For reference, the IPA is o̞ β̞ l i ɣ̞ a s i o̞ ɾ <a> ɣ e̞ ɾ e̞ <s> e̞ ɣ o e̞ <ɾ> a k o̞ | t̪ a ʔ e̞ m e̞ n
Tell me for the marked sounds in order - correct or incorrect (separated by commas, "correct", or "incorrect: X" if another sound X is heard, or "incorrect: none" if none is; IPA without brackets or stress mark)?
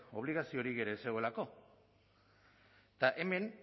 incorrect: i, correct, incorrect: l